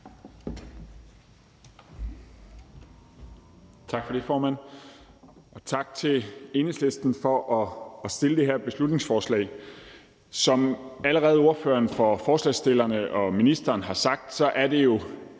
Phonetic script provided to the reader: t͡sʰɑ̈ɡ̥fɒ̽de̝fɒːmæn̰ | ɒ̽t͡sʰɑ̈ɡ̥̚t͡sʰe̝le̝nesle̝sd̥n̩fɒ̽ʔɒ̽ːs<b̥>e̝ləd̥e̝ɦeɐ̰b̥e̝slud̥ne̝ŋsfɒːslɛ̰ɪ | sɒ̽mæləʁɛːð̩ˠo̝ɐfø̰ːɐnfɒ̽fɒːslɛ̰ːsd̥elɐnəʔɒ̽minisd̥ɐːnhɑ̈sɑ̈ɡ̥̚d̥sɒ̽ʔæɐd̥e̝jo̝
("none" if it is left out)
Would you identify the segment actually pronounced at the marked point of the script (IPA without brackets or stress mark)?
d̥